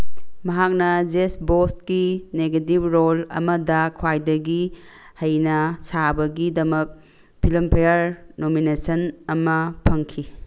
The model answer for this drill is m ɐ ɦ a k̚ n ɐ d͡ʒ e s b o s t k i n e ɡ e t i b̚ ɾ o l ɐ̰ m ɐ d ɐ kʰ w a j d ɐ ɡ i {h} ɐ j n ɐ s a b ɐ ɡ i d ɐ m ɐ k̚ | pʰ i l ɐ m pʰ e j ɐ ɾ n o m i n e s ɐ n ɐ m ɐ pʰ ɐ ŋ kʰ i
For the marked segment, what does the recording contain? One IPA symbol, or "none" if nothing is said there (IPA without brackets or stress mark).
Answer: h